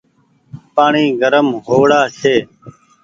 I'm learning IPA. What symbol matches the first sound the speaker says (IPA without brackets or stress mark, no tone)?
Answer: p